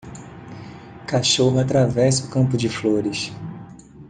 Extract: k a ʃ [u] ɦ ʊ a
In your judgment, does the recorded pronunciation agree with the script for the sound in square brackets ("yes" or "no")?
no